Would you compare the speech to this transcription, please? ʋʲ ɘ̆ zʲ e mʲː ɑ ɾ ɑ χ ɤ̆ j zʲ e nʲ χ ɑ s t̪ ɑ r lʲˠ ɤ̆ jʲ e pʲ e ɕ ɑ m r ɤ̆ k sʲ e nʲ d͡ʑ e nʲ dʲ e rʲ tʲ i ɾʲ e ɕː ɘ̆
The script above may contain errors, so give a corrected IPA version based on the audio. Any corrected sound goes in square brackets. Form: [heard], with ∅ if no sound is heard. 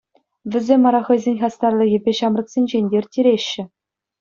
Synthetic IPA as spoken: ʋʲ ɘ̆ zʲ e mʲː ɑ ɾ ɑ χ ɤ̆ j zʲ e nʲ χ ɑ s t̪ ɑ r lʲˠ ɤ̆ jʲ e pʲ e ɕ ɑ m r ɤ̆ k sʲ e nʲ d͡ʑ e nʲ dʲ e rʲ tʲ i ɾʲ e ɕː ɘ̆